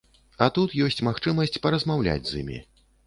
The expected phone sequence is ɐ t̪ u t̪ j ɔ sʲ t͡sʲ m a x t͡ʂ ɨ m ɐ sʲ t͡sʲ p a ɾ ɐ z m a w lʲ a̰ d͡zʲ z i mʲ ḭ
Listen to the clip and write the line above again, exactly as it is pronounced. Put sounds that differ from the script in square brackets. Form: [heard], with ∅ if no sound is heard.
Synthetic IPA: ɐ t̪ u t̪ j ɔ sʲ t͡sʲ m a x t͡ʂ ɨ m ɐ sʲ t͡sʲ p [ɐ] ɾ ɐ z m a w lʲ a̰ d͡zʲ z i mʲ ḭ